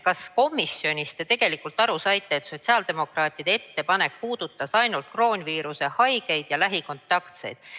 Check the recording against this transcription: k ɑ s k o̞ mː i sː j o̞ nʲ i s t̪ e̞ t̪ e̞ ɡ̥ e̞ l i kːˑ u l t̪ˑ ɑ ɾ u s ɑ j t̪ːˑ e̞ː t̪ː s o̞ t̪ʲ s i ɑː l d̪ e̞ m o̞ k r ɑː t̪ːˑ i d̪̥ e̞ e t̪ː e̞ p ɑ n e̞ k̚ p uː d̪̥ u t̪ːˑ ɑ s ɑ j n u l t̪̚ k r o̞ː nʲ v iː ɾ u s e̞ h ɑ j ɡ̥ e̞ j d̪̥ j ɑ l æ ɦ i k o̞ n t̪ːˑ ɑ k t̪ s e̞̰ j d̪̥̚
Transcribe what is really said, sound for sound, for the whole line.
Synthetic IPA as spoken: k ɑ s k o̞ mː i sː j o̞ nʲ i s t̪ e̞ t̪ e̞ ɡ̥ e̞ l i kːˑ u l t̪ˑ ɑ ɾ u s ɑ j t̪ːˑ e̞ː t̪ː s o̞ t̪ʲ s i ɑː l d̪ e̞ m o̞ k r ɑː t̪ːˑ i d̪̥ e̞ e t̪ː e̞ p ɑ n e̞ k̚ p uː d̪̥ u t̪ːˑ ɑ s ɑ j n u l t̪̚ k r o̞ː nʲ v iː ɾ u s e̞ h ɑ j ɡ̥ e̞ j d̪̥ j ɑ l æ ɦ i k o̞ n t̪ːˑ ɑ k t̪ s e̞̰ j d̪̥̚